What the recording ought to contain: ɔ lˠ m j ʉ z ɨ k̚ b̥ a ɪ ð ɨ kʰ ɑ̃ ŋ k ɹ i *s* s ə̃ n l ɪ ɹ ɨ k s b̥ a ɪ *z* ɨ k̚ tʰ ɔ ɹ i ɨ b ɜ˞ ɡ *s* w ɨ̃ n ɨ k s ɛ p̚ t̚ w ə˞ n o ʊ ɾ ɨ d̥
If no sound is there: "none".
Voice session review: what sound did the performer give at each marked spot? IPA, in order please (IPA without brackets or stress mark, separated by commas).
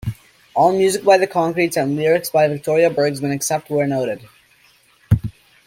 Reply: t, v, z